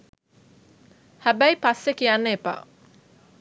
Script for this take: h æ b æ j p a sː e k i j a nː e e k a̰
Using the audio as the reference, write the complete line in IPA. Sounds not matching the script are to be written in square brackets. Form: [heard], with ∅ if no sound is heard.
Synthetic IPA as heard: h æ b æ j p a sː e k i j a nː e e [p] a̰